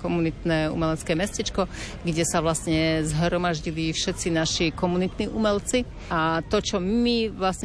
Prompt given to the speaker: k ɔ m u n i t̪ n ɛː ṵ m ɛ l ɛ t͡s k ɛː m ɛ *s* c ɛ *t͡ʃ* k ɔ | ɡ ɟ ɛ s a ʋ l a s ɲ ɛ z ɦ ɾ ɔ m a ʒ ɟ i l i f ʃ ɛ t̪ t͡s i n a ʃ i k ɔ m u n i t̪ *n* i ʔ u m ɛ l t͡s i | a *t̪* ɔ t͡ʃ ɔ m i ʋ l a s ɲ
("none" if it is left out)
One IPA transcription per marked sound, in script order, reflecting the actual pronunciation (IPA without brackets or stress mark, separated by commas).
s, t͡ʃ, n, t̪